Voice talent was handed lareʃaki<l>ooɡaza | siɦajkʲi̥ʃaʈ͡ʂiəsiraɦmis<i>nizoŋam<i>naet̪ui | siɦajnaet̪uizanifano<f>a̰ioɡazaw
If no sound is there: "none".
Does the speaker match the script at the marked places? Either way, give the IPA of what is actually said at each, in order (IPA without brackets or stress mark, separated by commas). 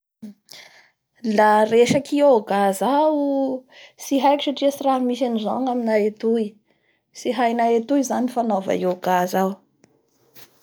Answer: none, a, i, v